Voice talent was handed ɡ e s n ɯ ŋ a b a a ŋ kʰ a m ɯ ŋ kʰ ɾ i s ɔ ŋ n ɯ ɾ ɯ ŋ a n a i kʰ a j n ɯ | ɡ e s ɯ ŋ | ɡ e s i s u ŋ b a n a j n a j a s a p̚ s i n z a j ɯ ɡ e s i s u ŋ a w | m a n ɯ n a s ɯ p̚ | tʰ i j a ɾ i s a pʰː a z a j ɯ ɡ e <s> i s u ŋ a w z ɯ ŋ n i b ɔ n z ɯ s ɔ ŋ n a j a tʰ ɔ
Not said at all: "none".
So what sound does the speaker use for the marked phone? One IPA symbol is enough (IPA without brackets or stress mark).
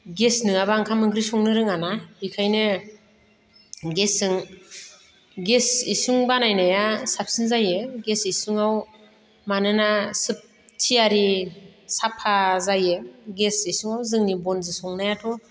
s